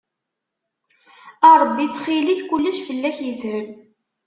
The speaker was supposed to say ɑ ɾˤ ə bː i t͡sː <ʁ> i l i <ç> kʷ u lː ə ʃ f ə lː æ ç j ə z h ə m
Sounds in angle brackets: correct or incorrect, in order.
incorrect, correct

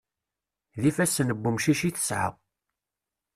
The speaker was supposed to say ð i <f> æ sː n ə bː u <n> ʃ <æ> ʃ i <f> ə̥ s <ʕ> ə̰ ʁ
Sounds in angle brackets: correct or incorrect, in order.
correct, incorrect, incorrect, incorrect, correct

